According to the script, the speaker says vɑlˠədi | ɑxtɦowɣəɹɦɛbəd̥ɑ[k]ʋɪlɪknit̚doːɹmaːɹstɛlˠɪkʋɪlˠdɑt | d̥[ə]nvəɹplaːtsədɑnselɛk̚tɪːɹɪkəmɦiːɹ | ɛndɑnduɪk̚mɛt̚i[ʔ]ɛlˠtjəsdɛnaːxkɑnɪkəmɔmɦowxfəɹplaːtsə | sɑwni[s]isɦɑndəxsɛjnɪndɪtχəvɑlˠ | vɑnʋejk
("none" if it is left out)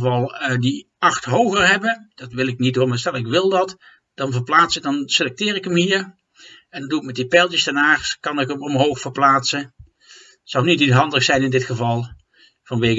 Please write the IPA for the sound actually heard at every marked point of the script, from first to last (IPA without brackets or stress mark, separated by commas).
t, ɑ, p, t